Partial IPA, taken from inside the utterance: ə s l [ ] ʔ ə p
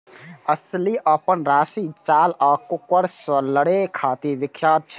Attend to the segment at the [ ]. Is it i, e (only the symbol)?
i